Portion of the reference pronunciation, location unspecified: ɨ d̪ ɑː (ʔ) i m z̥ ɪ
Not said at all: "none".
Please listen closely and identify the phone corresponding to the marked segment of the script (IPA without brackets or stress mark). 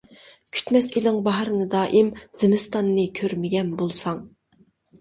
ʔ